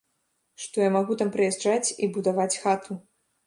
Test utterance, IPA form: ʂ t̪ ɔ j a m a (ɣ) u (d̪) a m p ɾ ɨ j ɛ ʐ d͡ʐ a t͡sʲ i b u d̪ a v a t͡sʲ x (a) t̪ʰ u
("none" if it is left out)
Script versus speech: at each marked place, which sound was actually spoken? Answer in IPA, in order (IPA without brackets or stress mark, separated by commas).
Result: ɣ, t̪, a